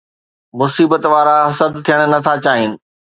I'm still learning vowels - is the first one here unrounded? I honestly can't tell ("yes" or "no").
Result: no